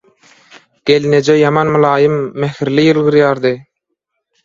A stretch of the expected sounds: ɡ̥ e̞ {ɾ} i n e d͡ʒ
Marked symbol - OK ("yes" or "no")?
no